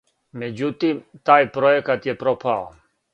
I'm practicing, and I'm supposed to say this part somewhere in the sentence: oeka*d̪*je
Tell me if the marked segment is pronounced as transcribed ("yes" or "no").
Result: no